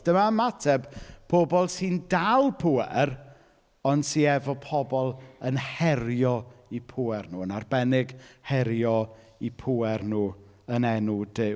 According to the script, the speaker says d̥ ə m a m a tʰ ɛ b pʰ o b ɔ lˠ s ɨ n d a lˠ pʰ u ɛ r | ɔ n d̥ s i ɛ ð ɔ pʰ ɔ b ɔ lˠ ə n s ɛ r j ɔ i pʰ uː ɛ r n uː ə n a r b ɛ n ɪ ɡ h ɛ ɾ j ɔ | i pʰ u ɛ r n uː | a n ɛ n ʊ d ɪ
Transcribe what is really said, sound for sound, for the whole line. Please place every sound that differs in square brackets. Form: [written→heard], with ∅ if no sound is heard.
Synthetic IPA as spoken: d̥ ə m a m a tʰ ɛ b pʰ o b ɔ lˠ s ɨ n d a lˠ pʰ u ɛ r | ɔ n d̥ s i ɛ [ð→v] ɔ pʰ ɔ b ɔ lˠ ə n [s→h] ɛ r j ɔ i pʰ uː ɛ r n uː ə n a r b ɛ n ɪ ɡ h ɛ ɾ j ɔ | i pʰ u ɛ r n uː | [a→ə] n ɛ n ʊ d ɪ